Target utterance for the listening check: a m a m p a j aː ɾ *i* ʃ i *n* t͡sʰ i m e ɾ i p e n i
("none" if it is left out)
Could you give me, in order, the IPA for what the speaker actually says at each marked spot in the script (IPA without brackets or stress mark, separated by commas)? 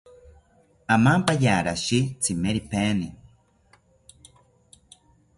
a, none